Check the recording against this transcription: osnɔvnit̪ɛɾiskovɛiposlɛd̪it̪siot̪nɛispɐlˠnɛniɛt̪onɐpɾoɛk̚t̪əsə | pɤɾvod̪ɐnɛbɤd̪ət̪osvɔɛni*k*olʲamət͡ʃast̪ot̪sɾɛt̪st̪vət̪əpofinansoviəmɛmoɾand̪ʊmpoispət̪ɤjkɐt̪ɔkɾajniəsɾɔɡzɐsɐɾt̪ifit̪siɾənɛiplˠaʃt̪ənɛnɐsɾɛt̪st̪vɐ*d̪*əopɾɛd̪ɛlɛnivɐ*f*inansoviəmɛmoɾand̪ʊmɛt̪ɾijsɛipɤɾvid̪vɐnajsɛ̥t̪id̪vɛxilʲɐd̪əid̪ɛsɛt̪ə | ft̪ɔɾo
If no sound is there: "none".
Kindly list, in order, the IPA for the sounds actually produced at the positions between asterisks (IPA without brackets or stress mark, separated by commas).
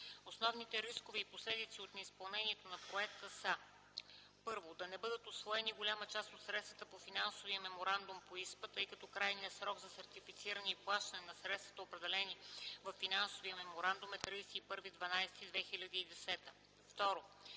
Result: ɡ, t̪, fː